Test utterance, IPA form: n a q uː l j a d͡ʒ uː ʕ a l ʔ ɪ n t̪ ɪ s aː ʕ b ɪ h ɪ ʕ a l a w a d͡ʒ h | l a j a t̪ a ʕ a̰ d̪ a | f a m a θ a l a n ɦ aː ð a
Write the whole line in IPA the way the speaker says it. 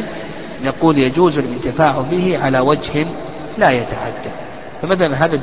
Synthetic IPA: n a q uː l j a d͡ʒ uː z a l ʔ ɪ n t̪ ɪ f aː ʕ b ɪ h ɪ ʕ a l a w a d͡ʒ h | l a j a t̪ a ʕ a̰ d̪ː a | f a m a θ a l a n ɦ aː ð a